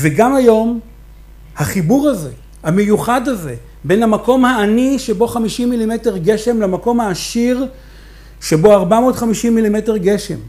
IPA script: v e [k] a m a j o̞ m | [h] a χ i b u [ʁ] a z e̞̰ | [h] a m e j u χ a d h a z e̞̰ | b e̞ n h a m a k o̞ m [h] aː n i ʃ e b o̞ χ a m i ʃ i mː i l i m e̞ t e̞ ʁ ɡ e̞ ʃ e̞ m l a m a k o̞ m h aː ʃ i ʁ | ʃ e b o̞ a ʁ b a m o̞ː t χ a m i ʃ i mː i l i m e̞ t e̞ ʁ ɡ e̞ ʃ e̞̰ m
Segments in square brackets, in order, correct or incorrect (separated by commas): incorrect, correct, correct, correct, correct